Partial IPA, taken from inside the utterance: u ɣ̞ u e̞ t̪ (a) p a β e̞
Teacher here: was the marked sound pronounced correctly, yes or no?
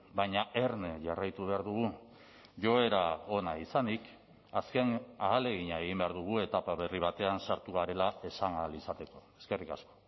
yes